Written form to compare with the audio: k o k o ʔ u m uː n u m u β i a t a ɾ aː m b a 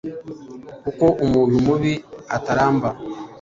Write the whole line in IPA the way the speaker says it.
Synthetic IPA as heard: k u k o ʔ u m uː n u m u β i a t a ɾ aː m b a